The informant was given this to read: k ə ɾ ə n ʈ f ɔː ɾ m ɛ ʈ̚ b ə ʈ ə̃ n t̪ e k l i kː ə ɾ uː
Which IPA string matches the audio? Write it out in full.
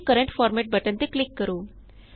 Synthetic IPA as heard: k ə ɾ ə ɳ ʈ f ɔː ɾ m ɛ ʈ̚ b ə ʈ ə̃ n t̪ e k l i kː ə ɾ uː